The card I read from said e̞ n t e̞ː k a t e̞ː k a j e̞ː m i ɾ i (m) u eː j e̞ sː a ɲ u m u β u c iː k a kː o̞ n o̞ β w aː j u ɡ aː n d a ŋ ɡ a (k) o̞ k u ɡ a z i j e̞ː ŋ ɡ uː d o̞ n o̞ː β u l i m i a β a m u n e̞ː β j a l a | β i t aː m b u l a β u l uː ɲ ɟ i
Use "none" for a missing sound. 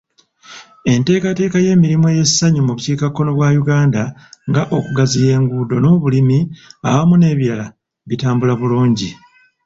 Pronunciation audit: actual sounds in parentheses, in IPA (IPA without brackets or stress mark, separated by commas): m, ʔ